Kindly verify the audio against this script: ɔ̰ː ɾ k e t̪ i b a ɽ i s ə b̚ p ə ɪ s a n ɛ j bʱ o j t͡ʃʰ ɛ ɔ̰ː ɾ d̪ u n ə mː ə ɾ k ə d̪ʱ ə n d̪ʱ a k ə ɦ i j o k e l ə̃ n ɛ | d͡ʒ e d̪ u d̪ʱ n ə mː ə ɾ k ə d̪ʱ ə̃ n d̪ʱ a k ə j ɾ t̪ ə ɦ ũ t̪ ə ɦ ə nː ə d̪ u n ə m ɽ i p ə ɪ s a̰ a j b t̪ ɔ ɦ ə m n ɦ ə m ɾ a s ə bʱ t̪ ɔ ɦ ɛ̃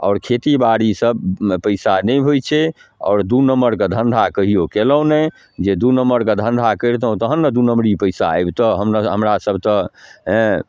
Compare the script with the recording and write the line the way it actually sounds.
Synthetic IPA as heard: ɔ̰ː ɾ kʰ e t̪ i b a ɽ i s ə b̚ p ə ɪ s a n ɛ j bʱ o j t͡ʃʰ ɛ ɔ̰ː ɾ d̪ u n ə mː ə ɾ k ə d̪ʱ ə n d̪ʱ a k ə ɦ i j o k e l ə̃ n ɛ | d͡ʒ e d̪ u n ə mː ə ɾ k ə d̪ʱ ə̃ n d̪ʱ a k ə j ɾ t̪ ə ɦ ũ t̪ ə ɦ ə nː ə d̪ u n ə m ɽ i p ə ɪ s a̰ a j b t̪ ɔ ɦ ə m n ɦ ə m ɾ a s ə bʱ t̪ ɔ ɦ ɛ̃